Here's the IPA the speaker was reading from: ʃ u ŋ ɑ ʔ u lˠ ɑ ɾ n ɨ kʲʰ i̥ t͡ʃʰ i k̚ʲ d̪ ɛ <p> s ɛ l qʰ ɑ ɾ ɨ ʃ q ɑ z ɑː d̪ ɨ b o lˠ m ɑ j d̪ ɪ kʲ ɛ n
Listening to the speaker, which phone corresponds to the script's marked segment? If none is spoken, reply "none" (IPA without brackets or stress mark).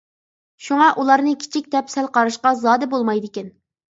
p